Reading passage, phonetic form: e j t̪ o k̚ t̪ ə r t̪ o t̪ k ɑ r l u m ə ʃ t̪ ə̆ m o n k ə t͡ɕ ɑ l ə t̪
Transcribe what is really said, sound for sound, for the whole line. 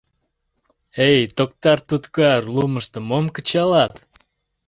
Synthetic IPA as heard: e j t̪ o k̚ t̪ ɑ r t̪ u t̪ k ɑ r l u m ə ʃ t̪ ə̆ m o m k ə t͡ɕ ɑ l ɑ t̪